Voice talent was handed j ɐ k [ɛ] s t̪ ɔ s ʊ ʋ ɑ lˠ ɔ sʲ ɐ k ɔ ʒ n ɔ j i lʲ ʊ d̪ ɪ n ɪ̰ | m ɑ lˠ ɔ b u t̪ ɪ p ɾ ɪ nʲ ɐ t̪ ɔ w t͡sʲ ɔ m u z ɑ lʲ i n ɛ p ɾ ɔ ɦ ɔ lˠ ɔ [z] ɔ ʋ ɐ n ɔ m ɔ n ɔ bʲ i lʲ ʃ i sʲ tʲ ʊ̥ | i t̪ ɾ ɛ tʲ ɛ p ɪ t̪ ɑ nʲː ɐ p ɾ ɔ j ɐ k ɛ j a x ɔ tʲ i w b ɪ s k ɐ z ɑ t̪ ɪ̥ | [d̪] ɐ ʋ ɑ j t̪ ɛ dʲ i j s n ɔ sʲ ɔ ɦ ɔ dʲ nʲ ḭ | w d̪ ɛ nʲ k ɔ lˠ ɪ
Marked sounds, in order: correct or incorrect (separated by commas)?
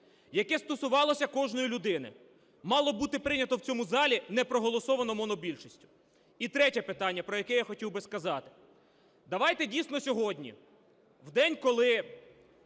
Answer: correct, incorrect, correct